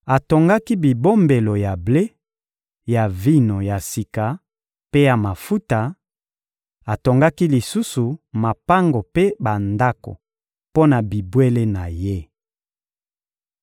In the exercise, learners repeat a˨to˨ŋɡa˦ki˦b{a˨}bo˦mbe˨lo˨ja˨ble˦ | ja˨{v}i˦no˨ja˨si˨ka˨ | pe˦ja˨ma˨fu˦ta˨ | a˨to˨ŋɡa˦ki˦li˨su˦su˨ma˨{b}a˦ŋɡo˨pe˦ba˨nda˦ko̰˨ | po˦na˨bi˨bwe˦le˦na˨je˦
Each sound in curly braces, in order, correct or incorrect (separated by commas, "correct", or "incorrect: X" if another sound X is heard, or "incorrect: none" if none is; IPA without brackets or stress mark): incorrect: i˨, correct, incorrect: p